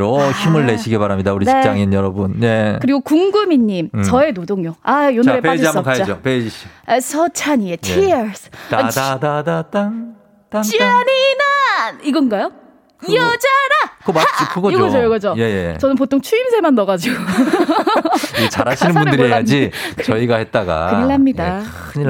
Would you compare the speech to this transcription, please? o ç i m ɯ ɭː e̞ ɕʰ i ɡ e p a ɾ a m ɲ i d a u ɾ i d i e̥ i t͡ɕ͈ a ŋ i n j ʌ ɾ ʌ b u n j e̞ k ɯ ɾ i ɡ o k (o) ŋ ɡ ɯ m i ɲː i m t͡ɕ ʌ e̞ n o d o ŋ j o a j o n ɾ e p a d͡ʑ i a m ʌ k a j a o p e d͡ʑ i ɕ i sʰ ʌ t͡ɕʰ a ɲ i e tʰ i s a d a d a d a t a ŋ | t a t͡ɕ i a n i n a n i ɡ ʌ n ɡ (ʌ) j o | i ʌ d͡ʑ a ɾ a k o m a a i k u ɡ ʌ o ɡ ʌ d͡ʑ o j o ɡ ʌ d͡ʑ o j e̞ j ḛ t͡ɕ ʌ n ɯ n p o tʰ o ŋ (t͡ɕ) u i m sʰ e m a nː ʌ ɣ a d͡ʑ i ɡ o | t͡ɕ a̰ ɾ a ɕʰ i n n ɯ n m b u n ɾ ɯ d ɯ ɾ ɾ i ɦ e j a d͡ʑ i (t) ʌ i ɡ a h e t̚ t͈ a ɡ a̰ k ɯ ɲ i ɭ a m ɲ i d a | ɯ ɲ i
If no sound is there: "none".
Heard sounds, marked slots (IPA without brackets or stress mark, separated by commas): u, a, t͡ɕʰ, t͡ɕ